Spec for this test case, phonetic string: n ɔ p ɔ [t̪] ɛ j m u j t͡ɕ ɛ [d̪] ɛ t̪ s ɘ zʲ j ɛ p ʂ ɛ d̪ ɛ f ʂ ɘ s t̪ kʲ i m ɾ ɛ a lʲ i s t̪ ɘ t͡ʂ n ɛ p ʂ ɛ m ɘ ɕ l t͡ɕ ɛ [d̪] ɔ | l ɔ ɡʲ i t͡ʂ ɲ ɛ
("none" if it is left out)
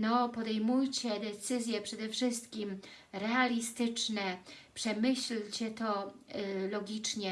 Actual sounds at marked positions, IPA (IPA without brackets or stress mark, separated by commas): d̪, d̪, t̪